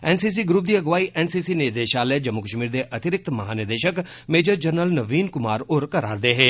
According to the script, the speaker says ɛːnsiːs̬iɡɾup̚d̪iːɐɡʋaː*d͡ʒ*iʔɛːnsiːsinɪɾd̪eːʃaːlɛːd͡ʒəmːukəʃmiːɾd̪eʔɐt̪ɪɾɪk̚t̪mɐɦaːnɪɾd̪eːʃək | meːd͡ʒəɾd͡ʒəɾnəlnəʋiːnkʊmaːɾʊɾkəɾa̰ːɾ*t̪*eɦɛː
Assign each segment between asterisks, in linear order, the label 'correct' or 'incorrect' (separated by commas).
incorrect, incorrect